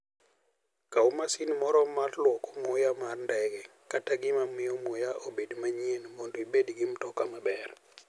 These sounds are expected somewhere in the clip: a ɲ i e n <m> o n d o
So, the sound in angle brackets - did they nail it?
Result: yes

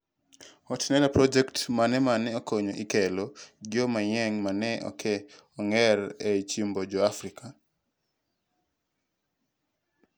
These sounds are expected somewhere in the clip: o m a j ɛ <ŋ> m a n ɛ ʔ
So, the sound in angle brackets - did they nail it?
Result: yes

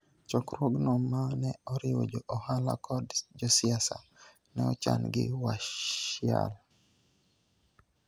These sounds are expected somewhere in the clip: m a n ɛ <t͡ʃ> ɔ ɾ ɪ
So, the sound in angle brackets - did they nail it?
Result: no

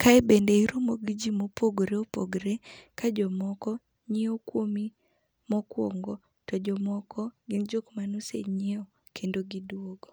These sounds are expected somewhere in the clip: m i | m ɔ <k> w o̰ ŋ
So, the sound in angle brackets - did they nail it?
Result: yes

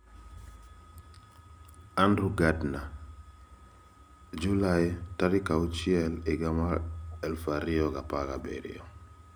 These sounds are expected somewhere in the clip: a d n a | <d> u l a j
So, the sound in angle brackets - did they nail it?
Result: no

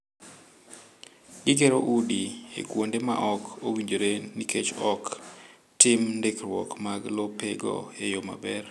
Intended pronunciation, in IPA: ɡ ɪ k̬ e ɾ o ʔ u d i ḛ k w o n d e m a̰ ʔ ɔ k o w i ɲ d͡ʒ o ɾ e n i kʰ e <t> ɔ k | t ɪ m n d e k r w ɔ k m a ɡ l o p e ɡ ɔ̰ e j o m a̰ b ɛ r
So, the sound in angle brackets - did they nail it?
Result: no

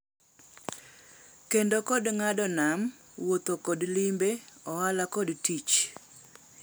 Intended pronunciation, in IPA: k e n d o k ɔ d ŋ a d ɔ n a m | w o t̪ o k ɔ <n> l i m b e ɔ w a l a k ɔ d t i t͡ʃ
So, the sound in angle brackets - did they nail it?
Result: no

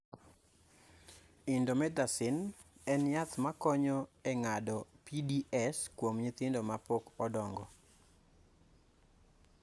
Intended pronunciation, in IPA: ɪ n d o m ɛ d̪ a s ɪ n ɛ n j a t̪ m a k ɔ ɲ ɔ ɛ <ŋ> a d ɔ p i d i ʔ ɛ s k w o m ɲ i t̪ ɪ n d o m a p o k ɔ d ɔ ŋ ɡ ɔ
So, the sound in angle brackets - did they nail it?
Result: yes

